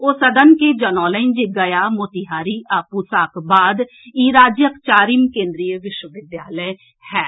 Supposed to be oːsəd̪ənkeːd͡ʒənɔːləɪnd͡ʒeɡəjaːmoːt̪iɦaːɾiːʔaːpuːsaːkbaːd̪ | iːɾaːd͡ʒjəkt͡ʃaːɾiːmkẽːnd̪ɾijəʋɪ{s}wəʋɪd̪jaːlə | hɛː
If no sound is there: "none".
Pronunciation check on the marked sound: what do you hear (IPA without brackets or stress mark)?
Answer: ʃ